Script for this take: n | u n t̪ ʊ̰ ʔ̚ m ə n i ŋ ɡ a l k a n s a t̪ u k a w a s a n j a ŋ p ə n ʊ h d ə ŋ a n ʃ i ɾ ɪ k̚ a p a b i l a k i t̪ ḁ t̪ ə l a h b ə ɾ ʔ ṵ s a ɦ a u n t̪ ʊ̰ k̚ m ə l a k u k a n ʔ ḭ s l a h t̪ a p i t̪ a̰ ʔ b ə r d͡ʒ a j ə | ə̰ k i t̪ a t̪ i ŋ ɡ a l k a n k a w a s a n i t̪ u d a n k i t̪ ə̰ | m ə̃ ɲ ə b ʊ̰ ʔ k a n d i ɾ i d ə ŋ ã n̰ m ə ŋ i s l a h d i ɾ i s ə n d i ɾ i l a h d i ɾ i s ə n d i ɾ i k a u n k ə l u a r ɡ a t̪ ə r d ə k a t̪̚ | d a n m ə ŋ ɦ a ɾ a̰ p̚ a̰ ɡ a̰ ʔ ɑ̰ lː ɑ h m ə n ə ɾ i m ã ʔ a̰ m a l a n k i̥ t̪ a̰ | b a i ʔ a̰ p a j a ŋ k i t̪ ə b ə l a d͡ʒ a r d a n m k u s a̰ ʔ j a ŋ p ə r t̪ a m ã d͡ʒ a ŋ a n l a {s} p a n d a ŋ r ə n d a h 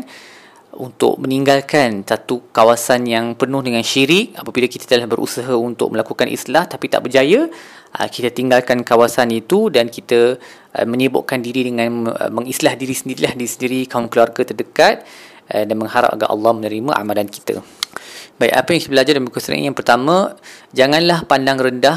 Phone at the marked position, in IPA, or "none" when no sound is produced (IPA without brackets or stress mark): h